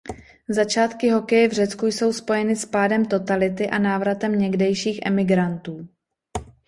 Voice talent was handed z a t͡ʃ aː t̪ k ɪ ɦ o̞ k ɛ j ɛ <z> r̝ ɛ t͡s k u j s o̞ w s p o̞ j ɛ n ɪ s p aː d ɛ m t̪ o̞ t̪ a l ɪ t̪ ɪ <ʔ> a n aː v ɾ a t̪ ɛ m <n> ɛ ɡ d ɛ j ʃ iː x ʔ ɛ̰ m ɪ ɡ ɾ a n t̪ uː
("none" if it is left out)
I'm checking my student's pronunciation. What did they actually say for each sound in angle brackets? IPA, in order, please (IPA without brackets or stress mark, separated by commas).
v, ʔ, ɲ